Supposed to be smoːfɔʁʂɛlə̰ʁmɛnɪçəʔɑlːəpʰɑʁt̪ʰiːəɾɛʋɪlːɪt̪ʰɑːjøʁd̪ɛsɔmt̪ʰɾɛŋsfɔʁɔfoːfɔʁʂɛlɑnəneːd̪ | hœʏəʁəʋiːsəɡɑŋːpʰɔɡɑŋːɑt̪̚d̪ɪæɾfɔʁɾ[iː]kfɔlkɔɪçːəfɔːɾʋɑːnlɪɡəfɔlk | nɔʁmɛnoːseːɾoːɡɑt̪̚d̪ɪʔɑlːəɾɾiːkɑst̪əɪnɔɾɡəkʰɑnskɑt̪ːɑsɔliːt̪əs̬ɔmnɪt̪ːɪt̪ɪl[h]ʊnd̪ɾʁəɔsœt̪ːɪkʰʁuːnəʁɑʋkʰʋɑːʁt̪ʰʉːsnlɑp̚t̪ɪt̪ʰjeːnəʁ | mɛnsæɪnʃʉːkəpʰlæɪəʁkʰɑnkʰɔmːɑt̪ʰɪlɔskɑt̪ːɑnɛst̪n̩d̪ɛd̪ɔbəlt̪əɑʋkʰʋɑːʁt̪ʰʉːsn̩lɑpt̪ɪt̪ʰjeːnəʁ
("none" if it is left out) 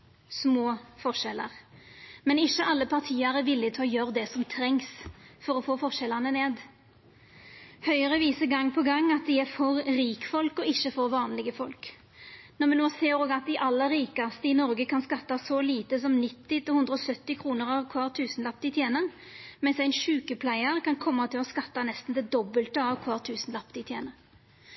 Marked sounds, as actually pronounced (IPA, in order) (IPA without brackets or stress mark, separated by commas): iː, h